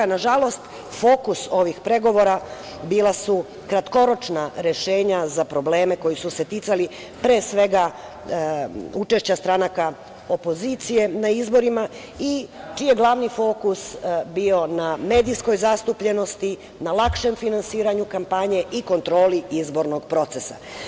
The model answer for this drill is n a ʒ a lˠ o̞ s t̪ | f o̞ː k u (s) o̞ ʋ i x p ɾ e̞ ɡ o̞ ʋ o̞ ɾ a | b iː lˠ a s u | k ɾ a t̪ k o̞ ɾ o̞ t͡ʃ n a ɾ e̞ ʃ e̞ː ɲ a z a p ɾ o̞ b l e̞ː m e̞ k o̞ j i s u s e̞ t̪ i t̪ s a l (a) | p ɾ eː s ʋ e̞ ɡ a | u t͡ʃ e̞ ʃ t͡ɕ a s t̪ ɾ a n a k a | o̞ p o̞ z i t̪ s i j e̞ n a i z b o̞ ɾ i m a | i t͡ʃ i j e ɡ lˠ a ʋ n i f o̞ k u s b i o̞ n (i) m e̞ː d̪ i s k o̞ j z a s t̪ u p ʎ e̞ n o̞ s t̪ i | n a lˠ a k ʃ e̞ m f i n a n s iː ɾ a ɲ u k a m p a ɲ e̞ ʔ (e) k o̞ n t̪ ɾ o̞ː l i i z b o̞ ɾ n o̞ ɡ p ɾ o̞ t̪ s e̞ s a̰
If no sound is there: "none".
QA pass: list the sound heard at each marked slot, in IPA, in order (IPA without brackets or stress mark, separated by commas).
s, i, a, i